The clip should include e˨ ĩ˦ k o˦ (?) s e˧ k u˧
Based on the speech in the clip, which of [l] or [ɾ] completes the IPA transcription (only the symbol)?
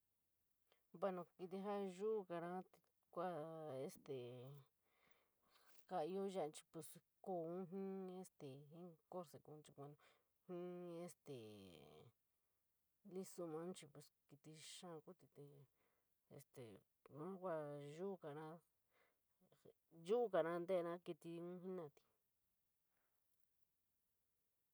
ɾ